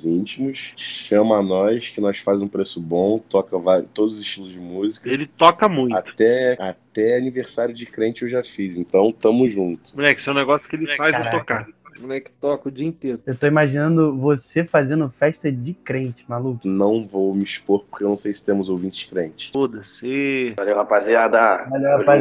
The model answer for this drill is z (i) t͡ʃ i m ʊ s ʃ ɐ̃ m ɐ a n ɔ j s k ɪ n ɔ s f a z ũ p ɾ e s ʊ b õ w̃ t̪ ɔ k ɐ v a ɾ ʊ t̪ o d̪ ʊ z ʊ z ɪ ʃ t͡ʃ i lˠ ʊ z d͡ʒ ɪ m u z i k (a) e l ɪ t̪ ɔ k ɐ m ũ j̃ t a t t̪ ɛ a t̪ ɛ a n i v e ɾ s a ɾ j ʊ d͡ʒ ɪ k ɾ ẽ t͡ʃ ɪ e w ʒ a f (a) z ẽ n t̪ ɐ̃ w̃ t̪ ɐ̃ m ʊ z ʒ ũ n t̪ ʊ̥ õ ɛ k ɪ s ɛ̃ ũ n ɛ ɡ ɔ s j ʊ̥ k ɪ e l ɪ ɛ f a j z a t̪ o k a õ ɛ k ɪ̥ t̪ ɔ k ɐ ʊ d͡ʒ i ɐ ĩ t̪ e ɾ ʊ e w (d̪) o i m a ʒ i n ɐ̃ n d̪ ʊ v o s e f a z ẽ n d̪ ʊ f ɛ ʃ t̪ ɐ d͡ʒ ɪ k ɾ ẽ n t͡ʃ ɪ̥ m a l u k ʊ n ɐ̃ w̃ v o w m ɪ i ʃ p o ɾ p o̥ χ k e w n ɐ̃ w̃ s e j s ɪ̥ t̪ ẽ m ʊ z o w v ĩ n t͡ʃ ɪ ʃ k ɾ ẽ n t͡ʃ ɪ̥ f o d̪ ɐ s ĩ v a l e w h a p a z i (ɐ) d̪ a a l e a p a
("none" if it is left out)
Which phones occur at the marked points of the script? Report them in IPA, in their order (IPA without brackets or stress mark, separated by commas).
ĩ, ɐ, i, t̪, a